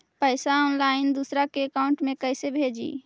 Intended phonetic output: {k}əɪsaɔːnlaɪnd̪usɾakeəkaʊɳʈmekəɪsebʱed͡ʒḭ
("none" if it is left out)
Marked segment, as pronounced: p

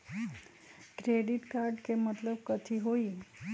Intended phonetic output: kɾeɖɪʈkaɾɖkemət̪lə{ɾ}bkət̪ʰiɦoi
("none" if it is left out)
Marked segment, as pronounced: none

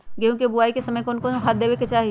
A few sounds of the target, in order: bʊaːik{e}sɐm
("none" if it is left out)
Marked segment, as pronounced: e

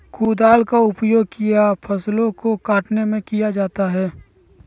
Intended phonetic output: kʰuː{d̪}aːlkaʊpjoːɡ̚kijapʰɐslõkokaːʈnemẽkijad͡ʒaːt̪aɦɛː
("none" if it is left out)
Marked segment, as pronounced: d̪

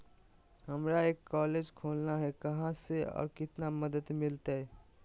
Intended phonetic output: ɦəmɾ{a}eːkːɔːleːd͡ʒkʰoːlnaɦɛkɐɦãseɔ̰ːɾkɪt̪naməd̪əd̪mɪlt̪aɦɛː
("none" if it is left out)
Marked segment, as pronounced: a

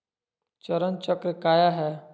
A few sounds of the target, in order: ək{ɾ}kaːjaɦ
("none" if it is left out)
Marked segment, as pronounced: ɾ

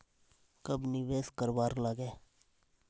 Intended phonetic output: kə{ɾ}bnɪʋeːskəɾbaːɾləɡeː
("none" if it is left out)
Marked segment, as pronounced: none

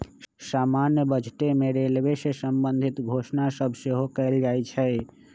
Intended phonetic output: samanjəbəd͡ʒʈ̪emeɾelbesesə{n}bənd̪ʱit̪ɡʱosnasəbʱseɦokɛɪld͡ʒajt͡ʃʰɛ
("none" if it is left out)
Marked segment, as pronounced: m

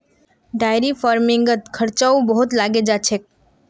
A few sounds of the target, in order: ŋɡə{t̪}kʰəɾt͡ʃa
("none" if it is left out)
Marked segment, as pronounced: t̪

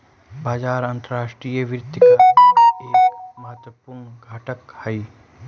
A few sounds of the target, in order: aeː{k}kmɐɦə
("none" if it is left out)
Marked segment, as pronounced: k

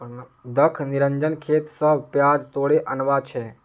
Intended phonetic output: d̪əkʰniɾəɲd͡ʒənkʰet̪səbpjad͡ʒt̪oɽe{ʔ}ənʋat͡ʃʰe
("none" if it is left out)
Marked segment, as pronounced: ʔ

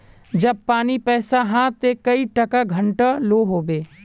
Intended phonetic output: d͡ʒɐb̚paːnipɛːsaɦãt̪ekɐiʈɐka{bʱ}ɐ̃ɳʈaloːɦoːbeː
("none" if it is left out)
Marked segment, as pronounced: ɡʱ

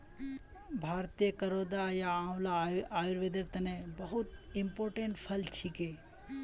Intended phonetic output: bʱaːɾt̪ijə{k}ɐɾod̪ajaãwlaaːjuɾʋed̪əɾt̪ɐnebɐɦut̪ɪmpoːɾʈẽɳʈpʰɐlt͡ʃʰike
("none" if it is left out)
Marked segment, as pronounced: k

